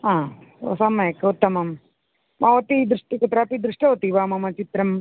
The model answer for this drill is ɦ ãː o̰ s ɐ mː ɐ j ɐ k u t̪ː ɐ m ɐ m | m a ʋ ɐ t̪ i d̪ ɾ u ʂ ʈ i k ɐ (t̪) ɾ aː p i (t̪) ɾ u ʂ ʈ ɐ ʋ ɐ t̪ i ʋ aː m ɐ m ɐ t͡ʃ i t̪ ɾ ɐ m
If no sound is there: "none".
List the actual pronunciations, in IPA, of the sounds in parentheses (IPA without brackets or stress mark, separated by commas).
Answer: t̪, d̪